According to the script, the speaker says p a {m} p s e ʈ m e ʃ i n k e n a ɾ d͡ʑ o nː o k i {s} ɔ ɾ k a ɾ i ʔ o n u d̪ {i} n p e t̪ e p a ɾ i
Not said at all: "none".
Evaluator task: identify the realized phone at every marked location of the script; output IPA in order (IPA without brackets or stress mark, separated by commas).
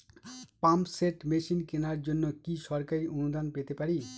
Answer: m, ʃ, a